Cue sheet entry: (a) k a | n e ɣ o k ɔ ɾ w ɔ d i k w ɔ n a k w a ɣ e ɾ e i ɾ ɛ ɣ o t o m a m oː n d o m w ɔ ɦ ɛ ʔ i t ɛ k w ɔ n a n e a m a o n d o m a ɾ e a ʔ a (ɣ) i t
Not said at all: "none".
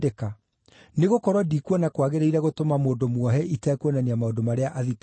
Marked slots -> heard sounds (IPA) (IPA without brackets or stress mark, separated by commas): e, ð